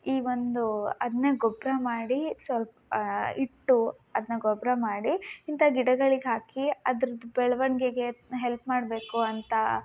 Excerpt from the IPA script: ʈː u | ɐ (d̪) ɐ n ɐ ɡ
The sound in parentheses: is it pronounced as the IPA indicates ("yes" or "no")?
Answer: yes